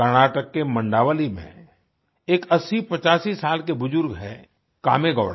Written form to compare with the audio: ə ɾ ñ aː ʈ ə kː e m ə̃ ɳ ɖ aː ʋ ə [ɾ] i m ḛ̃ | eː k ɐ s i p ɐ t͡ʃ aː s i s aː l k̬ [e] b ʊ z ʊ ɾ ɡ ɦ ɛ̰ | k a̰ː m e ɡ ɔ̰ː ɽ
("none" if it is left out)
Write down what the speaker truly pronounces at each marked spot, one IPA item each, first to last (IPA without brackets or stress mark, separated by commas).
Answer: l, e